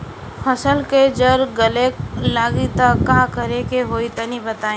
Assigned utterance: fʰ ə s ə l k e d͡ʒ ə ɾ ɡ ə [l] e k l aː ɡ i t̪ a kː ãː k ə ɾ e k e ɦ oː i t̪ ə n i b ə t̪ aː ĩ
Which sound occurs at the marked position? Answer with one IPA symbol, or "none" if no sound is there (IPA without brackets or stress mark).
l